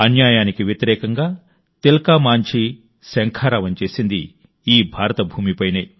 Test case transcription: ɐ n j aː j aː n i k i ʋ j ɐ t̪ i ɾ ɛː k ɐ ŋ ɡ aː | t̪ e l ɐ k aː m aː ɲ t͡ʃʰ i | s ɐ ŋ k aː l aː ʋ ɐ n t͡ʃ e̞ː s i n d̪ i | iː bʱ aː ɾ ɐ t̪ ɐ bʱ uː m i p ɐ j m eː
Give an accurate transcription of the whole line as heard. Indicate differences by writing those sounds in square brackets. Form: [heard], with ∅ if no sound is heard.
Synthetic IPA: ɐ n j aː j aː n i k i ʋ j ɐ t̪ i ɾ ɛː k ɐ ŋ ɡ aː | t̪ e l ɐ k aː m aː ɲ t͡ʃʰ i | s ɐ ŋ [kʰ] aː [ɾ] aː ʋ ɐ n t͡ʃ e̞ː s i n d̪ i | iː bʱ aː ɾ ɐ t̪ ɐ bʱ uː m i p ɐ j [n] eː